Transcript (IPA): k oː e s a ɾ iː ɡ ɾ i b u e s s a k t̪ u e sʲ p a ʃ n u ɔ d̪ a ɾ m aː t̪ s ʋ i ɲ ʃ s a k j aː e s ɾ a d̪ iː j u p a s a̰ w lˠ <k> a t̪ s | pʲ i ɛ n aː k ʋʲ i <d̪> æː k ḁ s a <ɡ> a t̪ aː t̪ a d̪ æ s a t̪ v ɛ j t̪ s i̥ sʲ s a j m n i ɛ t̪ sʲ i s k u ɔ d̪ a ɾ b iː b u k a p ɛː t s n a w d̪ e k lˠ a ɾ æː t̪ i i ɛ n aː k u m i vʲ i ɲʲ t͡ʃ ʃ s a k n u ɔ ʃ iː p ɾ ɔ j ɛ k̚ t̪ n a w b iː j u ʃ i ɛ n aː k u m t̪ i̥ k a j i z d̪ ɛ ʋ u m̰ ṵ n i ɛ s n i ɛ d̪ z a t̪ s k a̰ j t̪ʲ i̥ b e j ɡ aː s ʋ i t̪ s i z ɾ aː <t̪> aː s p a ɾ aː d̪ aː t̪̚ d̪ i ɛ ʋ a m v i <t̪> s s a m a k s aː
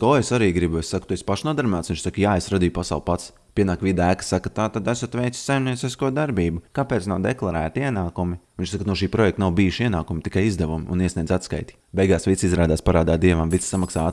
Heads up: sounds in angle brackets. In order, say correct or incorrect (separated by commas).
incorrect, correct, incorrect, incorrect, correct